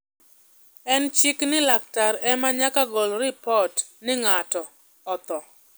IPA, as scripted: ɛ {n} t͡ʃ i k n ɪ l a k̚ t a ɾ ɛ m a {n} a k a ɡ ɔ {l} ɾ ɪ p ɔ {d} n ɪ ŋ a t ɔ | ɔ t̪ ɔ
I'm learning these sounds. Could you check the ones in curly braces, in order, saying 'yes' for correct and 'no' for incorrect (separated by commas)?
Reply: yes, no, yes, no